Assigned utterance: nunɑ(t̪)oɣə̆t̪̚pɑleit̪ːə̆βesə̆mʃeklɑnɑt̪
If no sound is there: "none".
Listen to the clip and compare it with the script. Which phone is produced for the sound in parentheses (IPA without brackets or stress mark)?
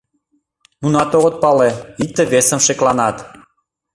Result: t̪